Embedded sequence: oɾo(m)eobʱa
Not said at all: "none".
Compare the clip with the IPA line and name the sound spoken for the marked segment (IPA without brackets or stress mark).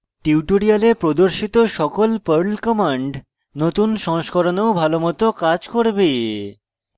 n